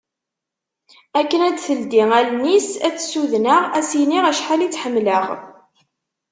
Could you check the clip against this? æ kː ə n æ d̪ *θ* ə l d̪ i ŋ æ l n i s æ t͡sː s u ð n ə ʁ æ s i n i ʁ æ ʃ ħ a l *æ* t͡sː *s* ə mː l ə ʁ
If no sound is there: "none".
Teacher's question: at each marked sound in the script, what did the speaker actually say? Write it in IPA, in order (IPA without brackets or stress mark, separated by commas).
θ, i, ħ